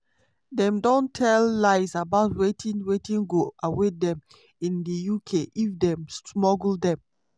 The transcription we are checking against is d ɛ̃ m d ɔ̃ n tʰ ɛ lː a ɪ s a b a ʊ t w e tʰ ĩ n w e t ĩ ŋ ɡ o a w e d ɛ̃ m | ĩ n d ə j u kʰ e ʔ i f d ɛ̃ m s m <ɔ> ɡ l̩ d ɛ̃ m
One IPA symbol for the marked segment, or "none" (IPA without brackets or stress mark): ɔ